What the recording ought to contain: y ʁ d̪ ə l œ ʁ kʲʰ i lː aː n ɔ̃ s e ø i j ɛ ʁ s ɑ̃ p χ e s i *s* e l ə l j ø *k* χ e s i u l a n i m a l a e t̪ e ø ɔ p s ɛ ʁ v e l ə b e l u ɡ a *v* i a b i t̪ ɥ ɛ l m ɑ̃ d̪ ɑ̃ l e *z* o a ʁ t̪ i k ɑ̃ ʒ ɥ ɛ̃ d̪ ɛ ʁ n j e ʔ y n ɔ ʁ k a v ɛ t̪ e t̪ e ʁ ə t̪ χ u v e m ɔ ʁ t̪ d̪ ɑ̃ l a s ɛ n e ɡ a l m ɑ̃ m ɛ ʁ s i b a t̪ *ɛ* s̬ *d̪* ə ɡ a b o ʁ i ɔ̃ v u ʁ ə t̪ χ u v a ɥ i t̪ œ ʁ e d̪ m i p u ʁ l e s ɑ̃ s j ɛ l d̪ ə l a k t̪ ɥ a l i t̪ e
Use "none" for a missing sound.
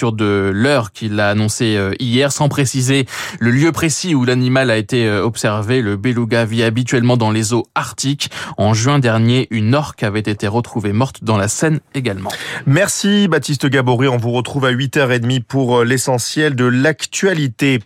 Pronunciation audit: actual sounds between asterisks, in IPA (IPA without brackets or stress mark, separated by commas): z, p, v, z, i, t̪